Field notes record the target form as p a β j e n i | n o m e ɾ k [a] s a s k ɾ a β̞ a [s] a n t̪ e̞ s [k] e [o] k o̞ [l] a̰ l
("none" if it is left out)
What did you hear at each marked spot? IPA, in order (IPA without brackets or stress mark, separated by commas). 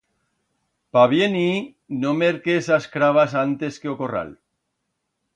e, s, k, o, r